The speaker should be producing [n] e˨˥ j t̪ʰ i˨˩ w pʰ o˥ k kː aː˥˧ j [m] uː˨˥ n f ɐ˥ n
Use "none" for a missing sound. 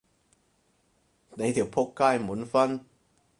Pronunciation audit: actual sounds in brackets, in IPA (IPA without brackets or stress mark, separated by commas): n, m